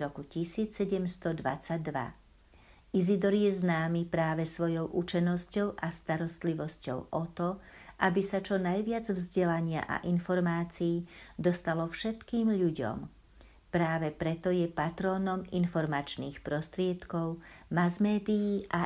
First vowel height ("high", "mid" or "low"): mid